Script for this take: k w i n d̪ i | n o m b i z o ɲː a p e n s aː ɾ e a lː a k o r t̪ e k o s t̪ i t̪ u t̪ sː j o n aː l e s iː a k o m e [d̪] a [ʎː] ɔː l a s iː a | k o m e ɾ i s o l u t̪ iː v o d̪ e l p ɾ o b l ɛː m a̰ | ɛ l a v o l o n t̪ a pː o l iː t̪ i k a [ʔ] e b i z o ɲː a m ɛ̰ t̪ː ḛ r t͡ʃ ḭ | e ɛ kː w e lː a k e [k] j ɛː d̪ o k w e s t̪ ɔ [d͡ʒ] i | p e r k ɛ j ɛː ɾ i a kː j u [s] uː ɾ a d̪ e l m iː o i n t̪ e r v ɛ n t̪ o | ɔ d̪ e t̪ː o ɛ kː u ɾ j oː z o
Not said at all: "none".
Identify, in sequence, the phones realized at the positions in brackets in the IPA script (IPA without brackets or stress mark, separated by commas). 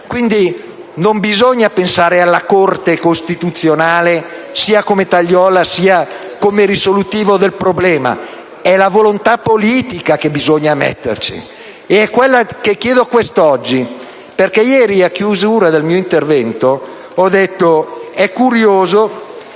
t̪, ʎː, k, k, d͡ʒː, z